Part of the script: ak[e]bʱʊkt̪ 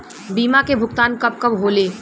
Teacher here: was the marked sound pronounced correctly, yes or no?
yes